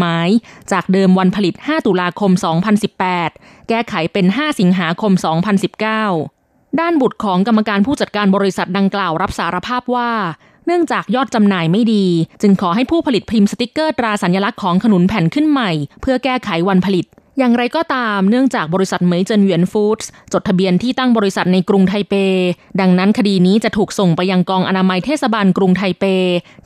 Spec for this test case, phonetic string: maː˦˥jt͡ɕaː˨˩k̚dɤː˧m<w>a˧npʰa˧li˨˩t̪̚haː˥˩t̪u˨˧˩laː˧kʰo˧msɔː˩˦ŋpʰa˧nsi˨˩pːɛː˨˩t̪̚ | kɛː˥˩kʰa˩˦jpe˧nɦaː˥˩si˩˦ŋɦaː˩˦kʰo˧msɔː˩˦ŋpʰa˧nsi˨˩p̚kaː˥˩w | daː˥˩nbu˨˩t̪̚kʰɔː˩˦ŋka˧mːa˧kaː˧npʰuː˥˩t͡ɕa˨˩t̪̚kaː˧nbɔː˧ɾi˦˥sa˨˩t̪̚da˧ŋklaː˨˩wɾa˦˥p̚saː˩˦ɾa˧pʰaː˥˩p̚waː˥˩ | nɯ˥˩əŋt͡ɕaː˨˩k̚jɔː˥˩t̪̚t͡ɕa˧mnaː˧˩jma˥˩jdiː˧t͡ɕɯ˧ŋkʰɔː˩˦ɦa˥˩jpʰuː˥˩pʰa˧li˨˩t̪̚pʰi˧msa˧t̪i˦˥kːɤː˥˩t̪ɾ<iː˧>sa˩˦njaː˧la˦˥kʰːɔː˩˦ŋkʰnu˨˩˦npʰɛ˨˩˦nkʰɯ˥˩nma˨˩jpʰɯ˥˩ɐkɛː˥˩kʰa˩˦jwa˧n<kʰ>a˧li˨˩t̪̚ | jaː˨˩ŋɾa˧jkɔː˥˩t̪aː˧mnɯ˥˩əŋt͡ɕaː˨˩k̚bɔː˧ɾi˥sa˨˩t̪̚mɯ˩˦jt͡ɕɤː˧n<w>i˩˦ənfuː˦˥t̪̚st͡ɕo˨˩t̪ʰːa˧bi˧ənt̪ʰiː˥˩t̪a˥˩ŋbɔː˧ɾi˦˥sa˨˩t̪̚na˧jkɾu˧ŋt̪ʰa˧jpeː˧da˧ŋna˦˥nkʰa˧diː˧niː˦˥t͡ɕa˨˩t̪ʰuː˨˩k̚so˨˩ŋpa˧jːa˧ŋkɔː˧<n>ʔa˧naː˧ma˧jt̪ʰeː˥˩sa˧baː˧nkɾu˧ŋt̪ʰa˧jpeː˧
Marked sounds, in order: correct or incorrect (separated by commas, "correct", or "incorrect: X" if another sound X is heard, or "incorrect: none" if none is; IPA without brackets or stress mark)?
correct, incorrect: aː˧, incorrect: pʰ, correct, incorrect: ŋ